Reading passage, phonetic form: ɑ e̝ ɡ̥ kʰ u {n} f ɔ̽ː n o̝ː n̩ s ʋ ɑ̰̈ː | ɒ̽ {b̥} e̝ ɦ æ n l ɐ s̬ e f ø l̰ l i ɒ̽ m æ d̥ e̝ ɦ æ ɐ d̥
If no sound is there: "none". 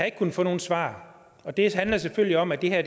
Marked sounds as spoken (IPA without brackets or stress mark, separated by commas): n, d̥